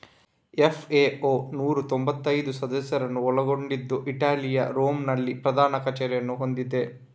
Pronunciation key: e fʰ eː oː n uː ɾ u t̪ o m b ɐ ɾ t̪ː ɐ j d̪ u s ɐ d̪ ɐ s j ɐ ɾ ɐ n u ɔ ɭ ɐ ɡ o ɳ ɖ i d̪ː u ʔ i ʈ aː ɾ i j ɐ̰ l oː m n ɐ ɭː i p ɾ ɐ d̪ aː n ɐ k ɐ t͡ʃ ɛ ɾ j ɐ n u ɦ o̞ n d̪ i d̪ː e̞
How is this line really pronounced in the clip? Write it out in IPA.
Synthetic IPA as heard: e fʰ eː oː n uː ɾ u t̪ o m b ɐ t̪ː ɐ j d̪ u s ɐ d̪ ɐ s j ɐ ɾ ɐ n u ɔ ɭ ɐ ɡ o ɳ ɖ i d̪ː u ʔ i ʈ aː l i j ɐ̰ ɾ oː m n ɐ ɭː i p ɾ ɐ d̪ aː n ɐ k ɐ t͡ʃ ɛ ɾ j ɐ n u ɦ o̞ n d̪ i d̪ e̞